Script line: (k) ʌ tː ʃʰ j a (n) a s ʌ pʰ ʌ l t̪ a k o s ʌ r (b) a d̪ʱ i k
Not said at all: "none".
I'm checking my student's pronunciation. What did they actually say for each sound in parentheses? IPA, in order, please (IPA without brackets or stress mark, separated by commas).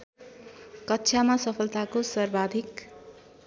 k, m, b